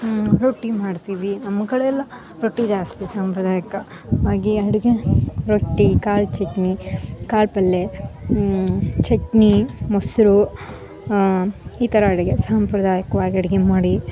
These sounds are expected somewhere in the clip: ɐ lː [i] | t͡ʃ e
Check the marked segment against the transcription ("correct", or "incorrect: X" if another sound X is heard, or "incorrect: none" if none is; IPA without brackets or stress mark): incorrect: e